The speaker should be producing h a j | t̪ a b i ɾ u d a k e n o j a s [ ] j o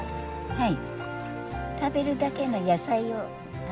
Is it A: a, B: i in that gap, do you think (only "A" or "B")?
A